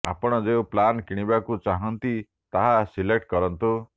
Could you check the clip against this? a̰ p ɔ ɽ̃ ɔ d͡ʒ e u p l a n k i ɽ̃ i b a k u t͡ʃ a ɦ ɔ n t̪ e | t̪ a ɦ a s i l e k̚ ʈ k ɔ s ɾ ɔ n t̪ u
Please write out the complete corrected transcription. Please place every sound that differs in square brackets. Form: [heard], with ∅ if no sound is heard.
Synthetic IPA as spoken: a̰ p ɔ ɽ̃ ɔ d͡ʒ e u p l a n k i ɽ̃ i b a k u t͡ʃ a ɦ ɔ n t̪ [i] | t̪ a ɦ a s i l e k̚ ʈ k ɔ [∅] ɾ ɔ n t̪ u